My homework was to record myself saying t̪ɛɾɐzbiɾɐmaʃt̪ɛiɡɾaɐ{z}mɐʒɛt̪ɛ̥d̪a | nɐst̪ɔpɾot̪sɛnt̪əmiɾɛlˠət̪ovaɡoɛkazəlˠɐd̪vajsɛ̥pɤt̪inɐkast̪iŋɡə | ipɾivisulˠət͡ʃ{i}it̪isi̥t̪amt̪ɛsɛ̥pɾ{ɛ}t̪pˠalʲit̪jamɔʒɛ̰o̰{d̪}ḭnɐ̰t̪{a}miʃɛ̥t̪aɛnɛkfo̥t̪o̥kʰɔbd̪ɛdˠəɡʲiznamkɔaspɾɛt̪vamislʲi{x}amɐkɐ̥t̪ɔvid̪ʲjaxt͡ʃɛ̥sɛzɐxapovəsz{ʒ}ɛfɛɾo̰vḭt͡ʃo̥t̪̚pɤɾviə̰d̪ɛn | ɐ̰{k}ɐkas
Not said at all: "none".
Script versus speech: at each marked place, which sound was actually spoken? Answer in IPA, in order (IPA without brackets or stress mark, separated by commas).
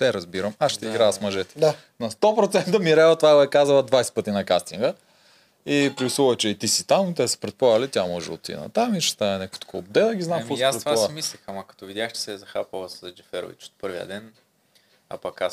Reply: s, ɛ, ɛ, t̪, a, x, d͡ʒ, p